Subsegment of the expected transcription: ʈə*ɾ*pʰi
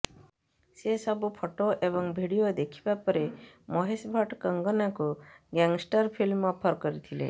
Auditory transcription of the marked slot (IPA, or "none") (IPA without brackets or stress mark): ɾ